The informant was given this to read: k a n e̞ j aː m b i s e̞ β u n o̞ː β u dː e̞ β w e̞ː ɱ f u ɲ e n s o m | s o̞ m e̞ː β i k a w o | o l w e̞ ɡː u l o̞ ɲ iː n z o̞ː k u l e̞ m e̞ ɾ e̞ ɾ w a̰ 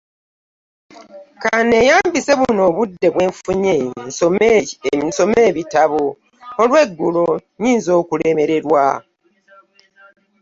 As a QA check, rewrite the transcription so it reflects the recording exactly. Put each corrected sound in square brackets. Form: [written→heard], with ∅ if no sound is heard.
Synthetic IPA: k a n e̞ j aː m b i s e̞ β u n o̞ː β u dː e̞ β w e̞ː ɱ f u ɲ e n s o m | s o̞ m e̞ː β i [k→t] a [w→β] o | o l w e̞ ɡː u l o̞ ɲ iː n z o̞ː k u l e̞ m e̞ ɾ e̞ ɾ w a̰